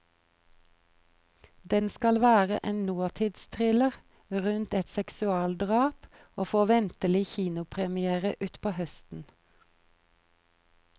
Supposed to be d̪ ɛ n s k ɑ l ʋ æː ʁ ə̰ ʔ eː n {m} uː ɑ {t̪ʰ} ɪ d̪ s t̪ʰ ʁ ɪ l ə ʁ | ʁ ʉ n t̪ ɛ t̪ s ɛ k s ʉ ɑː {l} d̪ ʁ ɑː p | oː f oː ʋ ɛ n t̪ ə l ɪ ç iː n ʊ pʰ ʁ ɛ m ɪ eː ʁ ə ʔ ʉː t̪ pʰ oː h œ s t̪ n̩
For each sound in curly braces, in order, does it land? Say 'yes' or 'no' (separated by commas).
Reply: no, yes, yes